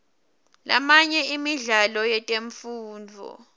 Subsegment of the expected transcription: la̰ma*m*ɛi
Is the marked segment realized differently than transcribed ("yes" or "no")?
yes